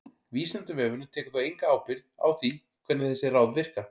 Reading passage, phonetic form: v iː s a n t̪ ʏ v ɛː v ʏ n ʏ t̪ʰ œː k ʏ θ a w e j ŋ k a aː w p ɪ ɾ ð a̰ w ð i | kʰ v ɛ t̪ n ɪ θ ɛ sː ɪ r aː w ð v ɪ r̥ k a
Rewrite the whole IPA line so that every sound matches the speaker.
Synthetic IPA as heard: v iː s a n t̪ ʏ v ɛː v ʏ n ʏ t̪ʰ ɛː k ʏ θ a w e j ŋ k a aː w p ɪ ɾ ð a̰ w θ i | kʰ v ɛ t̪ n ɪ θ ɛ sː ɪ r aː w ð v ɪ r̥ k a